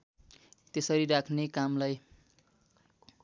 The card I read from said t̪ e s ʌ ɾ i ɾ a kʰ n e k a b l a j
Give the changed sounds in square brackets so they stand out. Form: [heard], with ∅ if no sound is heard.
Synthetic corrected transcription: t̪ e s ʌ ɾ i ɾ a kʰ n e k a [m] l a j